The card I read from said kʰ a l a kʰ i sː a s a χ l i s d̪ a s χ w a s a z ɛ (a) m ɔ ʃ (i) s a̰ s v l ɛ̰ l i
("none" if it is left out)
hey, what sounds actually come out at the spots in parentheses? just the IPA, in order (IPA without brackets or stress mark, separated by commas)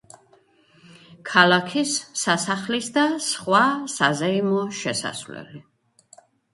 i, ɛ